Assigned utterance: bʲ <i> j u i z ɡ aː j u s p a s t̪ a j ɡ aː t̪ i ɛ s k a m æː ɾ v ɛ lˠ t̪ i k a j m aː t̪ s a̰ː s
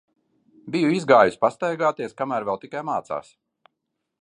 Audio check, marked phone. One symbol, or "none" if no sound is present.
i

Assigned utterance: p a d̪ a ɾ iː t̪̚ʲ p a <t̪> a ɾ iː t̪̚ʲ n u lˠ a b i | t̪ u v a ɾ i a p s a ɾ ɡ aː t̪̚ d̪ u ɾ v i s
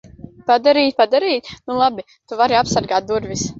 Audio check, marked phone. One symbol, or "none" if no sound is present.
d̪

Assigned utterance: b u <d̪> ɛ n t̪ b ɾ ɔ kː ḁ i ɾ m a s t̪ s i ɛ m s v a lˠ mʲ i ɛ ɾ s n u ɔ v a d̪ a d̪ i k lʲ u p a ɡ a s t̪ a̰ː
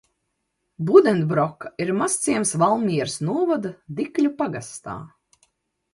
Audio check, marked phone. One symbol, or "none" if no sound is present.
d̪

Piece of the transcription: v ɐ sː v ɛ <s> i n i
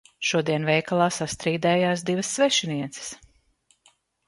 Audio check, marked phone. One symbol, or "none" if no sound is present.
ʃ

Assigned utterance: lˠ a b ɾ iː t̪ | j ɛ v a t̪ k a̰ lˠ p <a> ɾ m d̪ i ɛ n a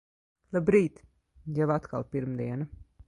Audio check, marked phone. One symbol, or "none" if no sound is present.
i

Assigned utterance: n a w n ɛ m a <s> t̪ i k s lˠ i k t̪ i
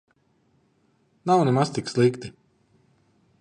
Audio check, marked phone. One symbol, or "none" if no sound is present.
s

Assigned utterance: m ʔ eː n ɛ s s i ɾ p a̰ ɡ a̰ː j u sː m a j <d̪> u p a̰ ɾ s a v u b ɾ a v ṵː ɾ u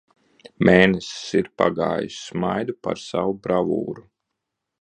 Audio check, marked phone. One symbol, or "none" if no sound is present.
d̪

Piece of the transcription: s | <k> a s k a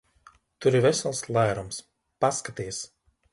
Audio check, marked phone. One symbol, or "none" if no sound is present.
p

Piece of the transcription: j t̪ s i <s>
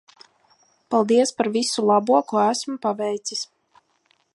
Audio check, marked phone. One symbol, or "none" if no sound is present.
s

